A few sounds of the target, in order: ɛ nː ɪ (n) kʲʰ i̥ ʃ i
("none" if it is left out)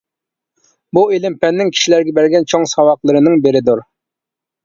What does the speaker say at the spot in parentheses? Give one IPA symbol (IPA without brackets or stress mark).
ŋ